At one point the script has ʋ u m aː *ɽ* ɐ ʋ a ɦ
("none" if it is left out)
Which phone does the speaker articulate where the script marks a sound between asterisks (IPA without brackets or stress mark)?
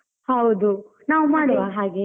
ɽ